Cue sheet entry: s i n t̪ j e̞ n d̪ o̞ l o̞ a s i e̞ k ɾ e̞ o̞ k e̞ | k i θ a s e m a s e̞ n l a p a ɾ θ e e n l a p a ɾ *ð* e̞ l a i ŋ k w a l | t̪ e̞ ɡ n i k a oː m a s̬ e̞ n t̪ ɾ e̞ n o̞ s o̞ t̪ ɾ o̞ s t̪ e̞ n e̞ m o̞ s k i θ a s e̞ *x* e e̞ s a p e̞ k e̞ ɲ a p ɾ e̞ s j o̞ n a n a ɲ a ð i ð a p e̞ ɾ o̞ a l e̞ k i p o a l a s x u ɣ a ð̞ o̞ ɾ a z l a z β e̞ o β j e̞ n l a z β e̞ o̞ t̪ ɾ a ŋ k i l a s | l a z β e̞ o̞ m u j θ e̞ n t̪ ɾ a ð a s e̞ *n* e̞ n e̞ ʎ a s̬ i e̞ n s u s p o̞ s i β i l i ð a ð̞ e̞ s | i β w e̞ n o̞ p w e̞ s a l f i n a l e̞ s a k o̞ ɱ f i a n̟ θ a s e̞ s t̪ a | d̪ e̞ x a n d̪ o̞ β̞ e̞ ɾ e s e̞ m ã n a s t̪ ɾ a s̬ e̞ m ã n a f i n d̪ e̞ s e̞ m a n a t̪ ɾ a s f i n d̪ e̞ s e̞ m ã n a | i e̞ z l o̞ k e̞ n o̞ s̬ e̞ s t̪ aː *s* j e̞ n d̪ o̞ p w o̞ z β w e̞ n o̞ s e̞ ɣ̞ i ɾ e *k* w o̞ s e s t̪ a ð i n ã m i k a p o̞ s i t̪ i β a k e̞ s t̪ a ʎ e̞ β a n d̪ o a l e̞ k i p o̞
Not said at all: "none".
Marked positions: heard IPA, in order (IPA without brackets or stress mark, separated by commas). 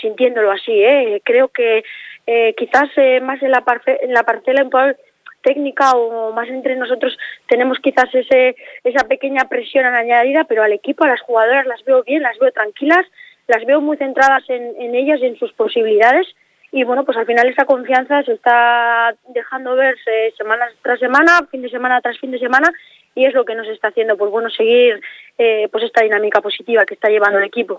θ, s, n, θ, p